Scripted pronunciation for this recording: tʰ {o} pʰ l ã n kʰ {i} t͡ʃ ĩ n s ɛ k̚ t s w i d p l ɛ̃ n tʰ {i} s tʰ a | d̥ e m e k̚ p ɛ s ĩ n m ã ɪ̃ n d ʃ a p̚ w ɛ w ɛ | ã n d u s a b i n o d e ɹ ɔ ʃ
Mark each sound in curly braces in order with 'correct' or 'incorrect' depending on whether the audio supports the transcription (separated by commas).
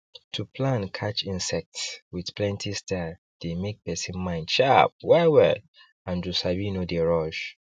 incorrect, incorrect, correct